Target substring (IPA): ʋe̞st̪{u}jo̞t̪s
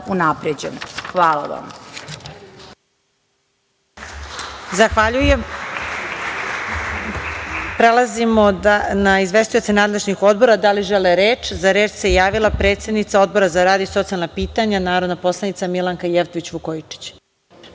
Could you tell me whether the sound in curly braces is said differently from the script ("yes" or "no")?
no